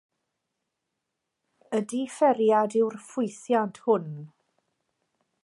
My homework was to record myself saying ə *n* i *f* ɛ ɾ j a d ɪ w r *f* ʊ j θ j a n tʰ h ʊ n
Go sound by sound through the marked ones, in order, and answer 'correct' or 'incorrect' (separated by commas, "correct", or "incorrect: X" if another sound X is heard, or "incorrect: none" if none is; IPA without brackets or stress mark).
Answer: incorrect: d, correct, correct